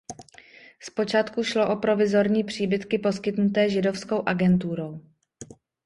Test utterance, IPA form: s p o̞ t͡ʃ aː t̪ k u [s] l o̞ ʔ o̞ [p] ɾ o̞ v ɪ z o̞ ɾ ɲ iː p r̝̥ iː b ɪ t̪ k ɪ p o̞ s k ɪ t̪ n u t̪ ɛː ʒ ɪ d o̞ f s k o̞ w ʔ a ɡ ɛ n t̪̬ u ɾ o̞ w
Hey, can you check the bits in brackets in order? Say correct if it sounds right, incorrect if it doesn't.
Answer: incorrect, correct

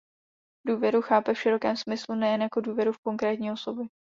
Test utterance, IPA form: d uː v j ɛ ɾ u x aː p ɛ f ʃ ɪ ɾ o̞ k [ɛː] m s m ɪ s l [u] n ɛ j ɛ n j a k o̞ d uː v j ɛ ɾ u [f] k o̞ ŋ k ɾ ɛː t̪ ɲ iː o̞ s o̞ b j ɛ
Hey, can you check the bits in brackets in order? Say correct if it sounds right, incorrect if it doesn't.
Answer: correct, correct, correct

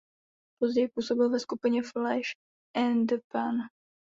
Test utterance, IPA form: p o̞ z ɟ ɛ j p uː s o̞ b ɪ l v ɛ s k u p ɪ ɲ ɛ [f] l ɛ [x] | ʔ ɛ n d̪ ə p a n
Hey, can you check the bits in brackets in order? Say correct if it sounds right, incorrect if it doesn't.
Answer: correct, incorrect

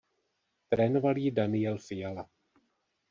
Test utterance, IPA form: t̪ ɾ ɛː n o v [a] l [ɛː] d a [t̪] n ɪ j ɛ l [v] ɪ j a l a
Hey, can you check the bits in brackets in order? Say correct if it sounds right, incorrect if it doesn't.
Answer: correct, incorrect, incorrect, incorrect

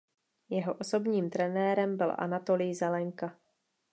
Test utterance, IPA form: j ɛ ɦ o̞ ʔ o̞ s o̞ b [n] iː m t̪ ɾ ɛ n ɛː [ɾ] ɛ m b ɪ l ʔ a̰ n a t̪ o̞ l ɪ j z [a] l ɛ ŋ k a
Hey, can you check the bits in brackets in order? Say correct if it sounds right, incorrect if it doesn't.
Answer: incorrect, correct, incorrect

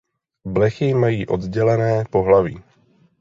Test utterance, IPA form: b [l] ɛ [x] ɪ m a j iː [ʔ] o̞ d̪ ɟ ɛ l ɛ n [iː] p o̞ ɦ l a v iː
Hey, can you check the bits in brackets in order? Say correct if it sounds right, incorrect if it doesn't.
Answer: correct, correct, correct, incorrect

